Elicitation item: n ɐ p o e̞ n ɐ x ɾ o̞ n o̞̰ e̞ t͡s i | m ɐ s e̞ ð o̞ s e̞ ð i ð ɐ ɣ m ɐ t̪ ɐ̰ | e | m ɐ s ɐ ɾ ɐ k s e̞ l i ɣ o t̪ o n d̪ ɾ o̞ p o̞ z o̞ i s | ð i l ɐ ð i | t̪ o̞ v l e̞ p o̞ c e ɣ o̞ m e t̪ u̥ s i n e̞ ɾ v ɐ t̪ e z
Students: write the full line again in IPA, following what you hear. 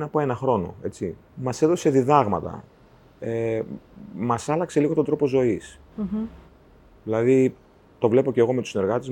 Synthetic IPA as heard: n ɐ p o e̞ n ɐ x ɾ o̞ n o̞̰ e̞ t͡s i | m ɐ s e̞ ð o̞ s e̞ ð i ð ɐ ɣ m ɐ t̪ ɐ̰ | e | m ɐ s ɐ l ɐ k s e̞ l i ɣ o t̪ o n d̪ ɾ o̞ p o̞ z o̞ i s | ð i l ɐ ð i | t̪ o̞ v l e̞ p o̞ c e ɣ o̞ m e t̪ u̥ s i n e̞ ɾ ɣ ɐ t̪ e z